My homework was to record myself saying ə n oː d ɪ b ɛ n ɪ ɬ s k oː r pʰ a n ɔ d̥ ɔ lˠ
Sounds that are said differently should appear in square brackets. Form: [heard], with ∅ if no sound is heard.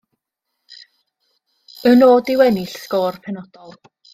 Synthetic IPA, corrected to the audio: ə n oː d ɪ [w] ɛ n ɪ ɬ s k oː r pʰ [ɛ] n ɔ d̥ ɔ lˠ